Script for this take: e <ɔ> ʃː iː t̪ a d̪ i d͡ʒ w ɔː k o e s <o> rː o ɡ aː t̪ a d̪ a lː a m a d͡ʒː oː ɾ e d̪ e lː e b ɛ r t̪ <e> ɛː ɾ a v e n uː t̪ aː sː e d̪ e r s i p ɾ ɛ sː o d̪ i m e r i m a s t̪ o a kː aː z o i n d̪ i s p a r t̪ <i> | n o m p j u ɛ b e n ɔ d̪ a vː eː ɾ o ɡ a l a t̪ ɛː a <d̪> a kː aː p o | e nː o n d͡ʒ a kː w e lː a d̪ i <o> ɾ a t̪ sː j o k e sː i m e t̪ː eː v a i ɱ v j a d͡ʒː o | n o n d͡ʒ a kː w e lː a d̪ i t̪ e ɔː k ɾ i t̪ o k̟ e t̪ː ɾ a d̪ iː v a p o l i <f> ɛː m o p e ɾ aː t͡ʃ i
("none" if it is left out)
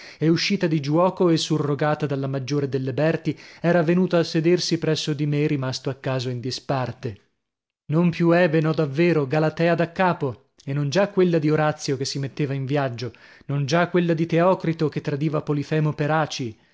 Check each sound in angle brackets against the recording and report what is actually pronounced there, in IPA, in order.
u, u, i, e, d̪, o, f

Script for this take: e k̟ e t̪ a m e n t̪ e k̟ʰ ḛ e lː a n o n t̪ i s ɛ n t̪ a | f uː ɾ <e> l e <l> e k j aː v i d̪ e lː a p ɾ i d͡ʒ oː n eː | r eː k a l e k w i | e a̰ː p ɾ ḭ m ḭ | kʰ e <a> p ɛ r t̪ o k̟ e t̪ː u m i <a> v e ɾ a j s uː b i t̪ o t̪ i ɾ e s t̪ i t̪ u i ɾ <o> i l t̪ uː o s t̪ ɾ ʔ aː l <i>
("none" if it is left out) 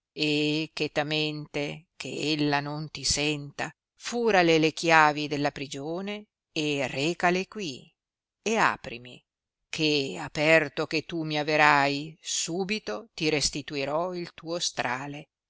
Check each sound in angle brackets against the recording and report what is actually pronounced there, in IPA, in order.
a, l, a, a, ɔ, e

